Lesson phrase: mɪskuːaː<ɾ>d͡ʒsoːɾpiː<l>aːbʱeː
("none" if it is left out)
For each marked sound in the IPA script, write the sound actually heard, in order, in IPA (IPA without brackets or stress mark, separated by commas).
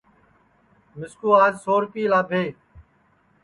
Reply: none, l